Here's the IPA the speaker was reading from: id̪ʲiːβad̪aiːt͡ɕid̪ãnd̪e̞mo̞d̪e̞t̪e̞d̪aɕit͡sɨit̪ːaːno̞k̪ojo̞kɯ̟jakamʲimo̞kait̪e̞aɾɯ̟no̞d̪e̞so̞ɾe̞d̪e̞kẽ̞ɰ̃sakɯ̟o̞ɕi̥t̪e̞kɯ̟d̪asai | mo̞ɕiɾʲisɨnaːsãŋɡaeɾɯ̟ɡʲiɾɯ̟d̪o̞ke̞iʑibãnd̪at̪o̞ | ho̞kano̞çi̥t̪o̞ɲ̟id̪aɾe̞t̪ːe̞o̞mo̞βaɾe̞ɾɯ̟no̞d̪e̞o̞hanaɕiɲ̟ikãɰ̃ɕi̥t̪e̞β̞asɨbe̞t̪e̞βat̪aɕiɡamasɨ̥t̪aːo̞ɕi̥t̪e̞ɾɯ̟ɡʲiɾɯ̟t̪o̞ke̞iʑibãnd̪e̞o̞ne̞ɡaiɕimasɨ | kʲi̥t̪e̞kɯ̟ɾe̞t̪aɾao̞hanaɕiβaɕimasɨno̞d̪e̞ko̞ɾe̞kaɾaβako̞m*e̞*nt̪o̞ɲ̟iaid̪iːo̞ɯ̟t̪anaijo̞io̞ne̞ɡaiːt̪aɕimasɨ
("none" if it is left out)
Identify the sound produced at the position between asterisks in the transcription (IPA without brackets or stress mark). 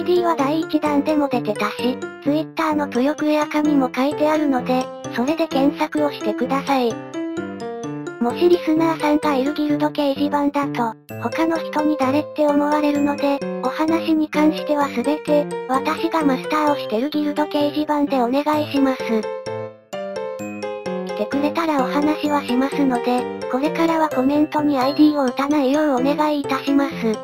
ẽ̞